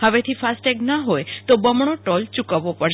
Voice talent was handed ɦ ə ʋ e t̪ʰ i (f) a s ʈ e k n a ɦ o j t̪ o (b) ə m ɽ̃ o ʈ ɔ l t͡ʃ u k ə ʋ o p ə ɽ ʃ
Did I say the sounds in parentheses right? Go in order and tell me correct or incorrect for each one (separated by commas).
correct, correct